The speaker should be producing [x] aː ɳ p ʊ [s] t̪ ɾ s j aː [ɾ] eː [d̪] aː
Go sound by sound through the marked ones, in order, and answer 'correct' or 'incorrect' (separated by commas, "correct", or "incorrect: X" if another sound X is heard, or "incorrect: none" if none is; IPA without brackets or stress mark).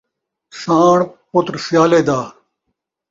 incorrect: s, incorrect: none, incorrect: l, correct